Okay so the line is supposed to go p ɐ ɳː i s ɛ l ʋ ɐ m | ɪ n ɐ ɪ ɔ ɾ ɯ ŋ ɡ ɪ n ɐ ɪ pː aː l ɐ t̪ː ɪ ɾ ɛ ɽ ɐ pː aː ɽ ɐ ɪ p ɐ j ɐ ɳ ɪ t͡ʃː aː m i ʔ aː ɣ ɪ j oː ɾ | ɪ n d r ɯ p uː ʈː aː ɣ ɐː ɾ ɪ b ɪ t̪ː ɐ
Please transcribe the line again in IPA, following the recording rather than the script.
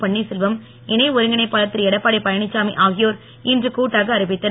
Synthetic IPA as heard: p ɐ ɳː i s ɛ l ʋ ɐ m | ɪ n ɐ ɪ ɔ ɾ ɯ ŋ ɡ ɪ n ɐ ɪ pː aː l ɐ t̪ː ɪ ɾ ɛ ɽ ɐ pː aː ɽ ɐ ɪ p ɐ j ɐ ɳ ɪ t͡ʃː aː m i ʔ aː ɣ ɪ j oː ɾ | ɪ n d r ɯ k uː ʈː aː ɣ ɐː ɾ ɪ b ɪ t̪ː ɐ